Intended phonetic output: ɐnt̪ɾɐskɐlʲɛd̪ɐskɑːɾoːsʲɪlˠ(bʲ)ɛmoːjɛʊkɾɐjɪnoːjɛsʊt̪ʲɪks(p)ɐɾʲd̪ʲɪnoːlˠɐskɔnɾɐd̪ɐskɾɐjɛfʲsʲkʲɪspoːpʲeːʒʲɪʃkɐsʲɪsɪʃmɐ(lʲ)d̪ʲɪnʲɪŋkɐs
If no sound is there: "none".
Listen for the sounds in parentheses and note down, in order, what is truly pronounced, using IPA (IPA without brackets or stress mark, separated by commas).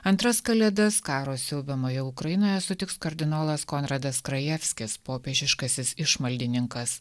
bʲ, k, lʲ